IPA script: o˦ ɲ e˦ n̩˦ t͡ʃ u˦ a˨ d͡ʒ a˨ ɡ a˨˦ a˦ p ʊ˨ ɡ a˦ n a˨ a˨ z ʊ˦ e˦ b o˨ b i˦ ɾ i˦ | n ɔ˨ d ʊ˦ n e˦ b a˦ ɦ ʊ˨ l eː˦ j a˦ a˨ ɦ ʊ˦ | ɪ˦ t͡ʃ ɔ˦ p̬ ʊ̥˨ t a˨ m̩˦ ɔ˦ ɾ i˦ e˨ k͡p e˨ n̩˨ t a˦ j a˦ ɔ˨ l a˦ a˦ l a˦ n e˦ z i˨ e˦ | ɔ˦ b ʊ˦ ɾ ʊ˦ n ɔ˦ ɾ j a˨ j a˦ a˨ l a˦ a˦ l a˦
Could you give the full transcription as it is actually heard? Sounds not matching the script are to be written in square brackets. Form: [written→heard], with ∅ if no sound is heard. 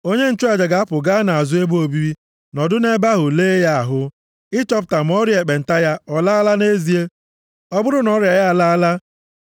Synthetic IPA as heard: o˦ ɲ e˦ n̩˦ t͡ʃ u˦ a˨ d͡ʒ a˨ ɡ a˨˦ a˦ p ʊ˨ ɡ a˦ n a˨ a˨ z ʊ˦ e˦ b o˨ b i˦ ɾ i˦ | n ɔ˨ d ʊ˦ n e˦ b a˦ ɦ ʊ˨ l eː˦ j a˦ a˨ ɦ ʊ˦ | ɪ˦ t͡ʃ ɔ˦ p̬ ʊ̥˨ t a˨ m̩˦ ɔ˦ ɾ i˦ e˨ k͡p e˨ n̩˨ t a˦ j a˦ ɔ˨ l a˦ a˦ l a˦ n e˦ z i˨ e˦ | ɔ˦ b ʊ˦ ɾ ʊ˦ n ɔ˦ ɾ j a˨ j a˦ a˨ l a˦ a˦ l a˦

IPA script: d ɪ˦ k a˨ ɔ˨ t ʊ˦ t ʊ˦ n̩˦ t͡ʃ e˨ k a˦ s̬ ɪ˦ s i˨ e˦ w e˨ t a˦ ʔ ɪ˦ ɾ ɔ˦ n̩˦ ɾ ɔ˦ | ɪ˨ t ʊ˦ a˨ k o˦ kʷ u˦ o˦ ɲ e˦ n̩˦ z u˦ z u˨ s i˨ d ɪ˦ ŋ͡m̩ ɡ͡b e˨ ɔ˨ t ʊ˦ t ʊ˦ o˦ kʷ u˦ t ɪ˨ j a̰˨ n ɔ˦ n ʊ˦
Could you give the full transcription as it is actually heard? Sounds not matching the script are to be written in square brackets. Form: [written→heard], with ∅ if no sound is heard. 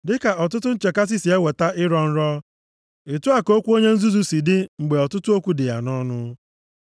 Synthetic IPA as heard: d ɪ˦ k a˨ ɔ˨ t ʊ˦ t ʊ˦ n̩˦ t͡ʃ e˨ k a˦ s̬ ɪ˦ s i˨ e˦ w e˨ t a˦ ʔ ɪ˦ ɾ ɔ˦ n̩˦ ɾ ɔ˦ | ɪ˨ t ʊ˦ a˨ k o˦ kʷ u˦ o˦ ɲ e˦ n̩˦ z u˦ z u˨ s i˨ d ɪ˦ ŋ͡m̩ ɡ͡b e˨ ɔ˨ t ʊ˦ t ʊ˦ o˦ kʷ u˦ [t→d] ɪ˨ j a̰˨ n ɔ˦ n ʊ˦

